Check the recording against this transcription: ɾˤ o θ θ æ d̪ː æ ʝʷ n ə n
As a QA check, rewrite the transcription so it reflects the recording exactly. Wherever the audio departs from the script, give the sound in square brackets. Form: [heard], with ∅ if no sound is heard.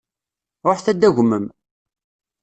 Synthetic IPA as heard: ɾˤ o [ħ] θ æ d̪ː æ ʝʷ [m] ə [m]